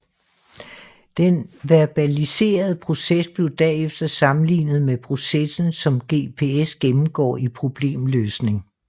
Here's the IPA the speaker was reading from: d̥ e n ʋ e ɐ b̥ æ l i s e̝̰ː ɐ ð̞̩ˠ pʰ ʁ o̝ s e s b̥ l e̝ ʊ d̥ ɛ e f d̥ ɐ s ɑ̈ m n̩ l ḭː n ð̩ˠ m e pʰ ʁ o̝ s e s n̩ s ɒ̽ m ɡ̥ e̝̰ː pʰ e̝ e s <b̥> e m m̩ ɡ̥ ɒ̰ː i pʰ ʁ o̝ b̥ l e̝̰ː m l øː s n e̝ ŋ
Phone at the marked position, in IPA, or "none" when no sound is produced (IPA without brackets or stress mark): ɡ̥